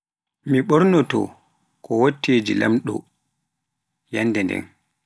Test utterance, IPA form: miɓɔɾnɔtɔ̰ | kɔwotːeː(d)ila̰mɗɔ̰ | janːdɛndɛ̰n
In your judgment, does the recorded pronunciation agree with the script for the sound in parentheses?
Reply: no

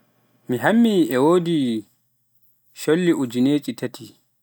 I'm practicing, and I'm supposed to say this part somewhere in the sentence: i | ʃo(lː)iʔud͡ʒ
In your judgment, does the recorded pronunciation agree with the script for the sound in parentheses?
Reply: yes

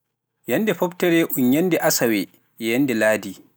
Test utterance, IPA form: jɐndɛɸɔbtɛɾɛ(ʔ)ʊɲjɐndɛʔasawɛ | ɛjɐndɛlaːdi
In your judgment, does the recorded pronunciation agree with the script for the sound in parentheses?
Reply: yes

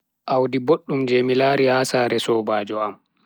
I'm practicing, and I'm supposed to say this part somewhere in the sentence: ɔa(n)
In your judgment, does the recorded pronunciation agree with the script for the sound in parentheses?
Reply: no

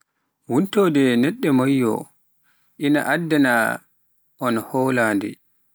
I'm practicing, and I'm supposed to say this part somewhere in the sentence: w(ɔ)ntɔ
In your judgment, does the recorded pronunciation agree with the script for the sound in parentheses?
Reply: no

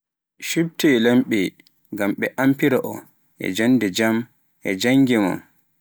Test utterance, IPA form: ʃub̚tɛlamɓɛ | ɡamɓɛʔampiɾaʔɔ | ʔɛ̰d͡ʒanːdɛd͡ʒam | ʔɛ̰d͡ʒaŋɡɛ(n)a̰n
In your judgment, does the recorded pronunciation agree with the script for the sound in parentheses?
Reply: no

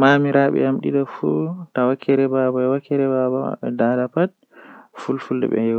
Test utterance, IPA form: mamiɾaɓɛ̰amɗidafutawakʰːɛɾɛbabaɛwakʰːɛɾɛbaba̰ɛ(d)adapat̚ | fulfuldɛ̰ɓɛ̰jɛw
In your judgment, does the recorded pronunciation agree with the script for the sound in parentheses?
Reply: yes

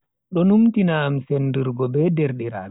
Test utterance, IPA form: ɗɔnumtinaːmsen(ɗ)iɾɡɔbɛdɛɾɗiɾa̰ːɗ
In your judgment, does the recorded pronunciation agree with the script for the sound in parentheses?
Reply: no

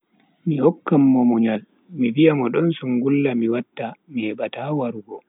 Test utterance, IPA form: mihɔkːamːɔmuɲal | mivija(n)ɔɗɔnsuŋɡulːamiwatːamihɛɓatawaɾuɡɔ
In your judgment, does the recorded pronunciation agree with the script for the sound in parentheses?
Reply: no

